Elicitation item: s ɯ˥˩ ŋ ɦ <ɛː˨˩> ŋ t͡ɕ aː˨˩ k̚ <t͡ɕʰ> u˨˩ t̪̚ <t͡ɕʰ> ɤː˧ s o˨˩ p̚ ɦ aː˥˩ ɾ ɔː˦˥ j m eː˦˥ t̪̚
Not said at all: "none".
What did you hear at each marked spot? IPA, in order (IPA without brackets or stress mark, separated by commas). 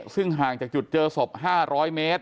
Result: aː˨˩, t͡ɕ, t͡ɕ